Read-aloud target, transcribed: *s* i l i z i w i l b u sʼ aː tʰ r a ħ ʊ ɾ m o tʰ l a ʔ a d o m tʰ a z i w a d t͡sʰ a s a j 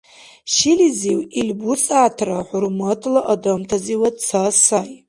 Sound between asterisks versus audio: incorrect: ʃ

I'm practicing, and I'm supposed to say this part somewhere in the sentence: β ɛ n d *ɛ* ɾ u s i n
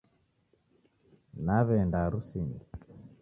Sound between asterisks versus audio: incorrect: a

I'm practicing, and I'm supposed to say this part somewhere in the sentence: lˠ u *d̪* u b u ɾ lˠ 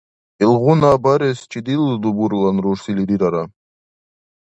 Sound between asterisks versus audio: correct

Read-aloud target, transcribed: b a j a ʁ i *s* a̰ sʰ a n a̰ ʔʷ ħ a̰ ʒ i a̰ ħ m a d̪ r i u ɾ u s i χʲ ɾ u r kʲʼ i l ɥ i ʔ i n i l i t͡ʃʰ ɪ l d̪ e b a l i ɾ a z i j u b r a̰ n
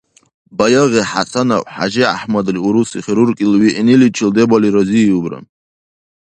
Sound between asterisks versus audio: incorrect: ħ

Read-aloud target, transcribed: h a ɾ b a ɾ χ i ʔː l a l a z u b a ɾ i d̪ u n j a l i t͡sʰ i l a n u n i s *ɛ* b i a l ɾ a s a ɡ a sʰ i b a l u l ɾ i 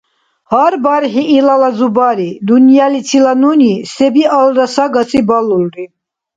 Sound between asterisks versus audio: correct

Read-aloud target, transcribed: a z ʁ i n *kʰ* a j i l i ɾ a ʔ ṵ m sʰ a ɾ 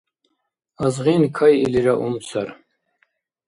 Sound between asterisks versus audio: correct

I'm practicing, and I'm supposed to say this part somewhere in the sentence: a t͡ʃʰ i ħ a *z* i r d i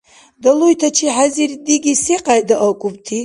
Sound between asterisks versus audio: correct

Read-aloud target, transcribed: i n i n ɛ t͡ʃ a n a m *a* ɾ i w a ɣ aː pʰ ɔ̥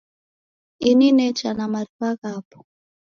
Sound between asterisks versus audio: correct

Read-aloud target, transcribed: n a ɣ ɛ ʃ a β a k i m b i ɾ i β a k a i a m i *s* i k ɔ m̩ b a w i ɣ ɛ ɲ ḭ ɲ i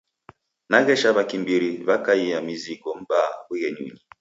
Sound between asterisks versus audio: incorrect: z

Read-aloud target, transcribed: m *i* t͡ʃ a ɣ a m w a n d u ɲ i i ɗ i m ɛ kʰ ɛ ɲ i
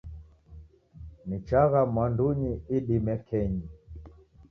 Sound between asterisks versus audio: correct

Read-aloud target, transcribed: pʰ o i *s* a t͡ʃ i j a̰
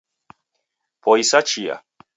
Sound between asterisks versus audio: correct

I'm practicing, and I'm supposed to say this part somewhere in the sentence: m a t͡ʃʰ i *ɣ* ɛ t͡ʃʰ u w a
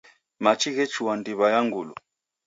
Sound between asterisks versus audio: correct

